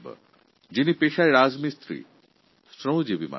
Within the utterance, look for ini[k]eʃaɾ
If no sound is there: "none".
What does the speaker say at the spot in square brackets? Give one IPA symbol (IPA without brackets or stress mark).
p